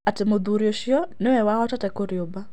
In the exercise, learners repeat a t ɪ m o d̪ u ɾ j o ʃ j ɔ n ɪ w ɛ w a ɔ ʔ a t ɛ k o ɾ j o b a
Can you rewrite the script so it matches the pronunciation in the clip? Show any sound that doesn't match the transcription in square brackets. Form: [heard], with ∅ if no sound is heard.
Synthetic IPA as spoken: a t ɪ m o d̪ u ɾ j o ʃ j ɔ n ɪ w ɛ w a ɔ [t] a t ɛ k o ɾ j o b a